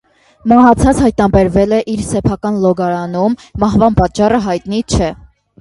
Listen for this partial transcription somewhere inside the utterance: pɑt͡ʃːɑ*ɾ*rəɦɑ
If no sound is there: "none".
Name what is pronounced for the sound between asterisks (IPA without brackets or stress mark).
none